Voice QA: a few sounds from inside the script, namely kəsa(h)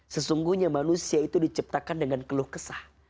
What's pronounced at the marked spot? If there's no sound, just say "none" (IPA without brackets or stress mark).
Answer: h